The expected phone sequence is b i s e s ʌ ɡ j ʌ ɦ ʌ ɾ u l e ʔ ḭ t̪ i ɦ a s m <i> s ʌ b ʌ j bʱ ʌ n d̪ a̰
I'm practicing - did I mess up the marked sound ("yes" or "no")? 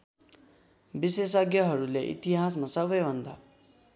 yes